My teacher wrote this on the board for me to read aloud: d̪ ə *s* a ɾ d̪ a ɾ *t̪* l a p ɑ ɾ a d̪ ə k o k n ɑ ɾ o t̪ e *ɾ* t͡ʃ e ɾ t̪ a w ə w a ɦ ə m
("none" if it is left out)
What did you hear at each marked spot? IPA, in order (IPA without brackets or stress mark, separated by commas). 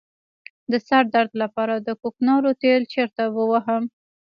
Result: s, d̪, l